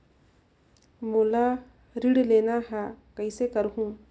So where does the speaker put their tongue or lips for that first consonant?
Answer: lips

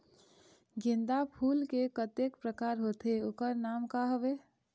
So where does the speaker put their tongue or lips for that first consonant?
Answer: velum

